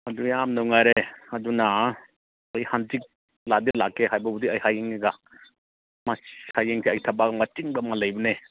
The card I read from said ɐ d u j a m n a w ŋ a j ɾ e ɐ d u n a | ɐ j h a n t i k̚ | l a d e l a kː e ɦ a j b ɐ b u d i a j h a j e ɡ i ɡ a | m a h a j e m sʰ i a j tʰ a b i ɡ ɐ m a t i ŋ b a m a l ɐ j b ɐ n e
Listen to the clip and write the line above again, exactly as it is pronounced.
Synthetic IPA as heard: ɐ d u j a m n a w ŋ a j ɾ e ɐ d u n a | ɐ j h a n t i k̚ | l a d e l a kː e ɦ a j b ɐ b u d i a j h a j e ŋ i ɡ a | m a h a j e ŋ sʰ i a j tʰ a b a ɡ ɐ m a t i ŋ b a m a l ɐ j b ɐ n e